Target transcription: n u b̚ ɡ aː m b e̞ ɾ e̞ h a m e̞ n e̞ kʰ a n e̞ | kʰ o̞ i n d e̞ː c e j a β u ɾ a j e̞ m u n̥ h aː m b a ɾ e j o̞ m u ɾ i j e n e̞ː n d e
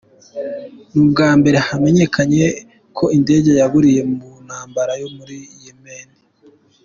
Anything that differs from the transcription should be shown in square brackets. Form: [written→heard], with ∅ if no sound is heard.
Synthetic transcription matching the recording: n u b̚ ɡ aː m b e̞ ɾ e̞ h a m e̞ [n→ɲ] e̞ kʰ a [n→ɲ] e̞ | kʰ o̞ i n d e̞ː [c→ɟ] e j a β u ɾ [a→i] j e̞ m u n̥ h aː m b a ɾ [e→a] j o̞ m u ɾ i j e [n→m] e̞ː n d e